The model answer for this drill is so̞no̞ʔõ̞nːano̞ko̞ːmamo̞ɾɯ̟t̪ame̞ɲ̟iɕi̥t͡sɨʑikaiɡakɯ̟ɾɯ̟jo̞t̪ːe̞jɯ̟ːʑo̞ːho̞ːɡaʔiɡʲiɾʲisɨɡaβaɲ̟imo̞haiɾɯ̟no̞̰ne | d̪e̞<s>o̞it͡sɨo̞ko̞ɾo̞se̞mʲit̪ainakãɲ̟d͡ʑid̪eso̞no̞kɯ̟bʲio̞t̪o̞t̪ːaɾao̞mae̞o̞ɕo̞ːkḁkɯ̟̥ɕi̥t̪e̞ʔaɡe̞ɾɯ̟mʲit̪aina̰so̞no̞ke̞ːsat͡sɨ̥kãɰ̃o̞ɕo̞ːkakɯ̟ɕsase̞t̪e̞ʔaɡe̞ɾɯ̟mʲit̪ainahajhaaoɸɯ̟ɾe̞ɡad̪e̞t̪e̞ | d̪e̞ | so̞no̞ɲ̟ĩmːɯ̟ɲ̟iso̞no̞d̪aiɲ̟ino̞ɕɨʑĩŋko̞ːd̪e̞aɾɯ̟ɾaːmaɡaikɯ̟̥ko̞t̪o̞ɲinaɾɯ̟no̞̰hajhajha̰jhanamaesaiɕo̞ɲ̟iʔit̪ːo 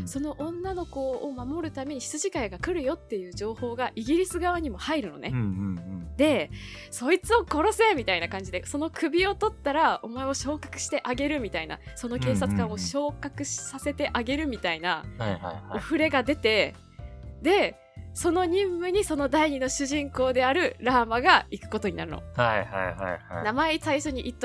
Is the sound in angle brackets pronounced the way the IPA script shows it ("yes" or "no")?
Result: yes